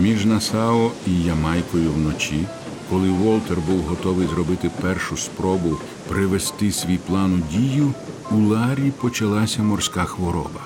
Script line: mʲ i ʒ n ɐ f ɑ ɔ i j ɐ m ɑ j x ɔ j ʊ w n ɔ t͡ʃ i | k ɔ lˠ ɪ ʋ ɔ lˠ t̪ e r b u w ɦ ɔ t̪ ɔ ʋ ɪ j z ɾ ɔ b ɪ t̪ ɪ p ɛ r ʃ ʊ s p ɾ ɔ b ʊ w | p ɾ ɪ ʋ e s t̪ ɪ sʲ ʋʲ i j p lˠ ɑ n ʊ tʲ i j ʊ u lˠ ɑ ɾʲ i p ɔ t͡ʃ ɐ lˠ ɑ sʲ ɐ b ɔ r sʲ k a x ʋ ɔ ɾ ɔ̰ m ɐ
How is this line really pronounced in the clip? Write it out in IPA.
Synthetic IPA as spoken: mʲ i ʒ n ɐ s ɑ ɔ i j ɐ m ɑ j k ɔ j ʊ w n ɔ t͡ʃ i | k ɔ lˠ ɪ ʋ ɔ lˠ t̪ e r b u w ɦ ɔ t̪ ɔ ʋ ɪ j z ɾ ɔ b ɪ t̪ ɪ p ɛ r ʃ ʊ s p ɾ ɔ b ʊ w | p ɾ ɪ ʋ e s t̪ ɪ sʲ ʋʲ i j p lˠ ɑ n ʊ dʲ i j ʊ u lˠ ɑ ɾʲ i p ɔ t͡ʃ ɐ lˠ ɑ sʲ ɐ m ɔ r sʲ k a x ʋ ɔ ɾ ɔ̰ b ɐ